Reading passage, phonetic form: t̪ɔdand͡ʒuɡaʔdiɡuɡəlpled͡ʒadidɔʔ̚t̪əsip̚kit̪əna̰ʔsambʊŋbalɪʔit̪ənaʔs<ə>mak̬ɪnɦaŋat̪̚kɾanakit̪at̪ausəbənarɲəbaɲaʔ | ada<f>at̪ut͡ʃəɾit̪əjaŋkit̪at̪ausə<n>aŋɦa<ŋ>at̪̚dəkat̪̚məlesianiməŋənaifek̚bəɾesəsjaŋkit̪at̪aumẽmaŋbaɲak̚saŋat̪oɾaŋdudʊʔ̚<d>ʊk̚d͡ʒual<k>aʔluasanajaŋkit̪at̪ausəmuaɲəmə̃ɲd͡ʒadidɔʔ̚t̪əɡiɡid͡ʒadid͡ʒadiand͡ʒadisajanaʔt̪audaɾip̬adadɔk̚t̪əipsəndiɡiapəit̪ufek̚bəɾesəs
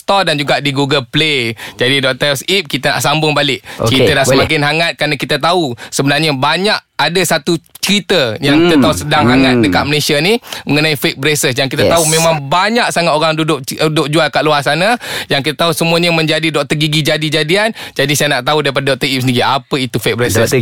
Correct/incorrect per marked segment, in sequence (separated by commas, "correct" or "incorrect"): correct, incorrect, incorrect, correct, correct, correct